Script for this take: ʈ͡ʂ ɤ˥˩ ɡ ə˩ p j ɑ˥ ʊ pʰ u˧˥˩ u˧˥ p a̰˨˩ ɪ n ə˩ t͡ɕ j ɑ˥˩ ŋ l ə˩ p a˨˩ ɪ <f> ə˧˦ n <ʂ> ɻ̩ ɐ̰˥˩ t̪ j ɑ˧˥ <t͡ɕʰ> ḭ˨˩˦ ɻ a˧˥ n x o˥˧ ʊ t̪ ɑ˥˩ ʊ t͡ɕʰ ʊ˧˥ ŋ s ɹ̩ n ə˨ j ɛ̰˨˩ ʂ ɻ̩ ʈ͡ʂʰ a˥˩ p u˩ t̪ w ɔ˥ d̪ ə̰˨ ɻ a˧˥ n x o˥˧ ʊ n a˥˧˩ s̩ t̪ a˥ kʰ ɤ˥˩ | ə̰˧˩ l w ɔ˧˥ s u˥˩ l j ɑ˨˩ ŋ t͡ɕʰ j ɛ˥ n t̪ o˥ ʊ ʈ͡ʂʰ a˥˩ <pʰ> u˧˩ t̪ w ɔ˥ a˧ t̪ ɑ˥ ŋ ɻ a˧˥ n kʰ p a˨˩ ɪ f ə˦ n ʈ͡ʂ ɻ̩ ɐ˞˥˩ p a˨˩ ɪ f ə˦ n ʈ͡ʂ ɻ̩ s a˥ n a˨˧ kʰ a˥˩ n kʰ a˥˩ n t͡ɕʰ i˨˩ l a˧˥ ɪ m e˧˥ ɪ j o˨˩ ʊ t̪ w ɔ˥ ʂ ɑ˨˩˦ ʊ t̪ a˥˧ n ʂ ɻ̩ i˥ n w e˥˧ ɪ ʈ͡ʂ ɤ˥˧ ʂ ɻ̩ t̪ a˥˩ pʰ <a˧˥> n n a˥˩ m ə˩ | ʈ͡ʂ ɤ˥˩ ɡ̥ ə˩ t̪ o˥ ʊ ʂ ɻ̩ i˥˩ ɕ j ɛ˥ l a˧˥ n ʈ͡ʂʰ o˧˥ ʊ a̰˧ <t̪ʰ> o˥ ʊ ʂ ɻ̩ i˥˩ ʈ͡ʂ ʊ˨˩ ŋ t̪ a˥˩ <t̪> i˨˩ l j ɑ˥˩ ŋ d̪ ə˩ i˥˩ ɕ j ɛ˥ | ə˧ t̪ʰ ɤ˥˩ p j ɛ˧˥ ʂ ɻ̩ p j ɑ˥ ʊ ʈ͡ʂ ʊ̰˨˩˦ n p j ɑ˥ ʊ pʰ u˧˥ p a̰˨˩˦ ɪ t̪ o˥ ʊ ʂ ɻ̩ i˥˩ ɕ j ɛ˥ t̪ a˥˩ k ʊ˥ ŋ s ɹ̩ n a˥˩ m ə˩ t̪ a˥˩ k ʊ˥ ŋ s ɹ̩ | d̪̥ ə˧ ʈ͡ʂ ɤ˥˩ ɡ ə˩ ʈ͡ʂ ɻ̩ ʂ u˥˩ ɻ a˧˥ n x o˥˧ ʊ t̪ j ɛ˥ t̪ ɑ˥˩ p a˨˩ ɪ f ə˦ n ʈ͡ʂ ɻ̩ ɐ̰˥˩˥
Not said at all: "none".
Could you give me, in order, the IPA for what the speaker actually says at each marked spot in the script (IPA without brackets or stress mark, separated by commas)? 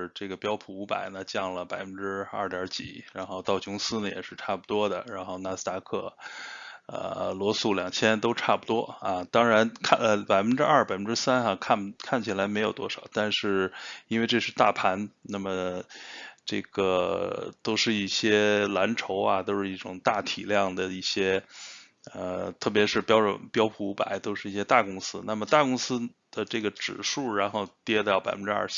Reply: f, ʈ͡ʂ, t͡ɕ, p, a˧˥, t̪, t̪ʰ